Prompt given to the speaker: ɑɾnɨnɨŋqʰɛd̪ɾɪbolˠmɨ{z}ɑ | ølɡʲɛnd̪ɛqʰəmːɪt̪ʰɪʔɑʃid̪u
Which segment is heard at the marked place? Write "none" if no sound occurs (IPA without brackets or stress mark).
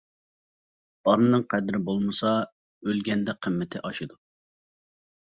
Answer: s